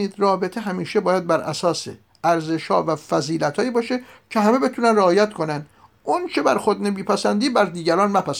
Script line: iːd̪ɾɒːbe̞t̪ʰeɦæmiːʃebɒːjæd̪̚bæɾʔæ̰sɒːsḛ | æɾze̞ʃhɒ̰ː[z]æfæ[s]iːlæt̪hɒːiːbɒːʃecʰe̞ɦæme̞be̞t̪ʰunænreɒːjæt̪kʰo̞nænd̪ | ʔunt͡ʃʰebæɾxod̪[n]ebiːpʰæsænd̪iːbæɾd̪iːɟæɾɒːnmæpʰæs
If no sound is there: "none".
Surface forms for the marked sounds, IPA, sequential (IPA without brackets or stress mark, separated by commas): v, z, n